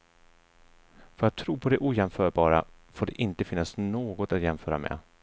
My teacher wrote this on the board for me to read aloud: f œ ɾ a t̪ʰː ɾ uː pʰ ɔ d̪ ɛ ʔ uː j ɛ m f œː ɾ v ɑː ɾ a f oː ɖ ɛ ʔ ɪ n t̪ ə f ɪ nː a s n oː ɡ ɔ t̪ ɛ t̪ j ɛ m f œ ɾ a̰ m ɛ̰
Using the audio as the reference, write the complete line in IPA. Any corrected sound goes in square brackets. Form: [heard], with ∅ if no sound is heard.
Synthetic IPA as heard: f œ ɾ a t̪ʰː ɾ uː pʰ ɔ d̪ ɛ ʔ uː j ɛ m f œː ɾ [b] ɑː ɾ a f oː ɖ ɛ ʔ ɪ n t̪ ə f ɪ nː a s n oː ɡ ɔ t̪ [a] t̪ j ɛ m f [œː] ɾ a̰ m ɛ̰